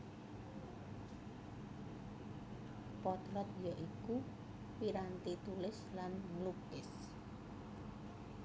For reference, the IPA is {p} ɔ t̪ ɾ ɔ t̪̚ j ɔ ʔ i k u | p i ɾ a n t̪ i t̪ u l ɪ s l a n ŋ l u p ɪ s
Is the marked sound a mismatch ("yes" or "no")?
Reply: no